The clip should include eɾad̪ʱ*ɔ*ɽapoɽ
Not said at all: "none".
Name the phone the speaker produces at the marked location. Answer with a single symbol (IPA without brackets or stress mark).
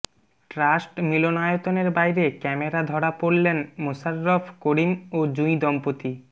ɔ